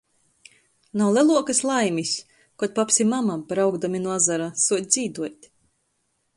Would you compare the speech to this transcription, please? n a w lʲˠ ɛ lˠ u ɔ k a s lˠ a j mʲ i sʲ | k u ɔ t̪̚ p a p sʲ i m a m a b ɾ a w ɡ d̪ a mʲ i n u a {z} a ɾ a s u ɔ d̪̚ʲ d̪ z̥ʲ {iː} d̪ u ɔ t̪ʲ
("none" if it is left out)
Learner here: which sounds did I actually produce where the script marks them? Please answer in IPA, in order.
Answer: z, iː

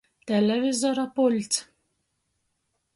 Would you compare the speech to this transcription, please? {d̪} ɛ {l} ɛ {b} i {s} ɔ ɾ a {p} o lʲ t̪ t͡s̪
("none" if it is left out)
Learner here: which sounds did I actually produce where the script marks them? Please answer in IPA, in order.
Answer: t̪, l, v, z, p

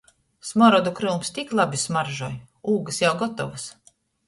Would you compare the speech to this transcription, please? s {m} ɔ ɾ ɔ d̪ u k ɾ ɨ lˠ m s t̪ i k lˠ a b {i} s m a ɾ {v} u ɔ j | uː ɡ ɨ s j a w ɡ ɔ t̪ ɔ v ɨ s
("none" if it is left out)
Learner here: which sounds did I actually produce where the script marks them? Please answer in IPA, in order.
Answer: m, i, ʒ

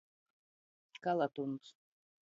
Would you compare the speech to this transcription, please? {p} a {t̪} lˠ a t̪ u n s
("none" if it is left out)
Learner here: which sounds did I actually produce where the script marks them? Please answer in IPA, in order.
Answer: k, none

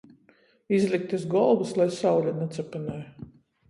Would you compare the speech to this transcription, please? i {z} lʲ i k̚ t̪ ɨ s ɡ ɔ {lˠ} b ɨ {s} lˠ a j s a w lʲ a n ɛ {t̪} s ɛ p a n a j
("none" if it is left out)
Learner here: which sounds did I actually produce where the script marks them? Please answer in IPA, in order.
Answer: z, lˠ, s, t̪

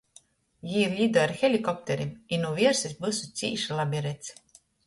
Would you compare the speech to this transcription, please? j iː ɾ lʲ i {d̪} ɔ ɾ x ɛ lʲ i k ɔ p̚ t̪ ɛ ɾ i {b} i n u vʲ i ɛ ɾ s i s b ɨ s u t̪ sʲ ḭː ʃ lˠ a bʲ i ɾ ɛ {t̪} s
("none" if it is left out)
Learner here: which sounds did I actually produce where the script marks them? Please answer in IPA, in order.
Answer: d̪, m, t̪

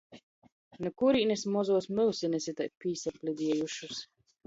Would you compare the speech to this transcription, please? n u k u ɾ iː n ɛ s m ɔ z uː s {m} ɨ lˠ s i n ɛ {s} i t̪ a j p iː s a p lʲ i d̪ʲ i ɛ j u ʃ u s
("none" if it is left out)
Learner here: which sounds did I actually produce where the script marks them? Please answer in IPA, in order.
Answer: m, s

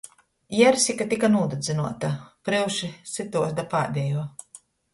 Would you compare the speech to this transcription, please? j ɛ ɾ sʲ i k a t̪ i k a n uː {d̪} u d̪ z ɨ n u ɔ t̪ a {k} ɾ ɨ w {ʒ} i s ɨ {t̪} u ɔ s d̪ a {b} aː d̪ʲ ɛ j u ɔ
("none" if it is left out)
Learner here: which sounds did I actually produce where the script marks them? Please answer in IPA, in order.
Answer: d̪, p, ʃ, t̪, p

